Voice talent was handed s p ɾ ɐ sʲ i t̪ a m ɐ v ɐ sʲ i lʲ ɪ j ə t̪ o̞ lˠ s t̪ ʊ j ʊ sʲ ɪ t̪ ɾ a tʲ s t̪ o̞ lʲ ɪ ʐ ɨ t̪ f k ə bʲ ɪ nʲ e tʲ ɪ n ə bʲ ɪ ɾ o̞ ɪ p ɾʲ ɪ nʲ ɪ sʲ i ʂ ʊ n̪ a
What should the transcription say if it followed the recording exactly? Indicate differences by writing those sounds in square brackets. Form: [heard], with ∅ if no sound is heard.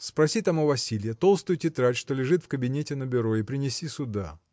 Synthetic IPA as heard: s p ɾ ɐ sʲ i t̪ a m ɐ v ɐ sʲ i lʲ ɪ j ə t̪ o̞ lˠ s t̪ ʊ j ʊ [tʲ] ɪ t̪ ɾ a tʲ [ʂ] t̪ o̞ lʲ ɪ ʐ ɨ t̪ f k ə bʲ ɪ nʲ e tʲ ɪ n ə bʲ ɪ ɾ o̞ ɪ p ɾʲ ɪ nʲ ɪ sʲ i [s] ʊ [d̪] a